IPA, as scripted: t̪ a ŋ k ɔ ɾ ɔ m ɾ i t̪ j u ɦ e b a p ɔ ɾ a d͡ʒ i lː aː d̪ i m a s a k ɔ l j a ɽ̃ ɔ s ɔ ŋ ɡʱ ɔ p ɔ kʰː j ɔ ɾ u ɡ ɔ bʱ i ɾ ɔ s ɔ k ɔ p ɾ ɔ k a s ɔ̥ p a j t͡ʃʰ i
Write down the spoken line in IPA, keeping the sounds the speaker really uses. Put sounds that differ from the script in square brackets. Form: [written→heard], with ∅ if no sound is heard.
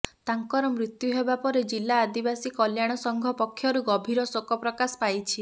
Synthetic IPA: t̪ a ŋ k ɔ ɾ ɔ m ɾ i t̪ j u ɦ e b a p ɔ ɾ [a→e] d͡ʒ i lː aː d̪ i [m→b] a s [a→i] k ɔ l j a ɽ̃ ɔ s ɔ ŋ ɡʱ ɔ p ɔ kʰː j ɔ ɾ u ɡ ɔ bʱ i ɾ ɔ s [ɔ→o] k ɔ p ɾ ɔ k a s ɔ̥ p a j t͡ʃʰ i